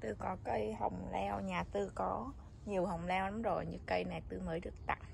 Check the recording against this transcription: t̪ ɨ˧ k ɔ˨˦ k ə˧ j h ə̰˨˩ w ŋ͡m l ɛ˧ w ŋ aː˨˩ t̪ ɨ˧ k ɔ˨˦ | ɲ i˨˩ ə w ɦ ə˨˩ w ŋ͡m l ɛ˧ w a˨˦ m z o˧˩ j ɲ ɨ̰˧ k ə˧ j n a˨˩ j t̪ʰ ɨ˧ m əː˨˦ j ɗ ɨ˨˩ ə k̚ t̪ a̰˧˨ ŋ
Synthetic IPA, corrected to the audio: t̪ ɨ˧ k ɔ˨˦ k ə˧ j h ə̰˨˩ w ŋ͡m l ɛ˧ w ɲ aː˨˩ t̪ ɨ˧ k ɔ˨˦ | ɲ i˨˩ ə w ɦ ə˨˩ w ŋ͡m l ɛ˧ w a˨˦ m z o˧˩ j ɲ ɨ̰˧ k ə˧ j n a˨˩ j t̪ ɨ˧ m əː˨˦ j ɗ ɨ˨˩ ə k̚ t̪ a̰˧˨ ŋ